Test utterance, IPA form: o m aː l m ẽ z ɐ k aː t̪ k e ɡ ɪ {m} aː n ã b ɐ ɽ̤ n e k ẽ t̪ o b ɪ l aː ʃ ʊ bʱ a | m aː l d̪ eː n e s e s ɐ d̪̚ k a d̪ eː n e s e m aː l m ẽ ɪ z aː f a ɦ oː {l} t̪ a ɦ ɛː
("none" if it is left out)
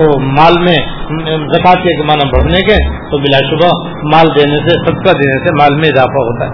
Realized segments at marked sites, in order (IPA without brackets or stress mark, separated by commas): m, none